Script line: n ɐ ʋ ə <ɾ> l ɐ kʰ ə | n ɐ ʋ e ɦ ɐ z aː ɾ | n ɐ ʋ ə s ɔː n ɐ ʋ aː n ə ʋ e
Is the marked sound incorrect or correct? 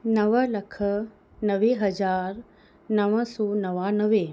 incorrect